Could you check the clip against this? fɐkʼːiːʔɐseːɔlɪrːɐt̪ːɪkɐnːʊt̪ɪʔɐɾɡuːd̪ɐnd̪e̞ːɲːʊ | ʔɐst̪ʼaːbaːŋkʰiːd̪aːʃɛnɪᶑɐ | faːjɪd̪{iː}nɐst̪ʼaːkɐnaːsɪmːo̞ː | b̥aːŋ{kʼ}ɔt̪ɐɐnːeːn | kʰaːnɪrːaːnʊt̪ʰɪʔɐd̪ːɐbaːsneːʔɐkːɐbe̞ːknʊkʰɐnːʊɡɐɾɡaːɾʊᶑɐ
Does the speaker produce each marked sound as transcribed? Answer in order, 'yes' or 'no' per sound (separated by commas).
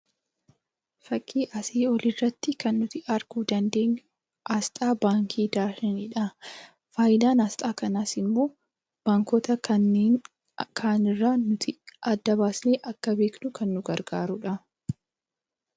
no, no